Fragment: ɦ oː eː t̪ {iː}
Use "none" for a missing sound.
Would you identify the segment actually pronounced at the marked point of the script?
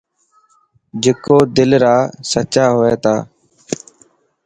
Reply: aː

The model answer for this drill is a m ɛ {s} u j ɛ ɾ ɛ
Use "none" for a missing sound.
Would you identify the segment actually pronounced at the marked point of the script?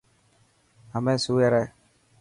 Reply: s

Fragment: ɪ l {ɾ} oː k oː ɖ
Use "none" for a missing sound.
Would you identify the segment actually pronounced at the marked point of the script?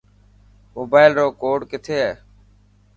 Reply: ɾ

